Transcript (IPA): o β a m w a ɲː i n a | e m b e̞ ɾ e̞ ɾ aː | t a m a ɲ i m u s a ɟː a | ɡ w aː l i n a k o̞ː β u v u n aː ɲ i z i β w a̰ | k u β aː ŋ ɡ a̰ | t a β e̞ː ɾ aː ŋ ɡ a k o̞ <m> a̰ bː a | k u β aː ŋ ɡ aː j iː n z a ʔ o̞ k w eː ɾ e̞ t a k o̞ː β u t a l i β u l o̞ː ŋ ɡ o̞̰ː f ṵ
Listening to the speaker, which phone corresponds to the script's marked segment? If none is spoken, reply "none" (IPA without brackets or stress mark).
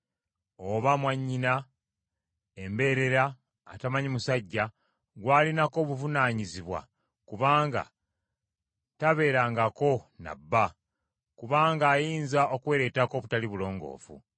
n